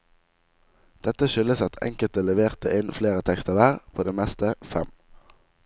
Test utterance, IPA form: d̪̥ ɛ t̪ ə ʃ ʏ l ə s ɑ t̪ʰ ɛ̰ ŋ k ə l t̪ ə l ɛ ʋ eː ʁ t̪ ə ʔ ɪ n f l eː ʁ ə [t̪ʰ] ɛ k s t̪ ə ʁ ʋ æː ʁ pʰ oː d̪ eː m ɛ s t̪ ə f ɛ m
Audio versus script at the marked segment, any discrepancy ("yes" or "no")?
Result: no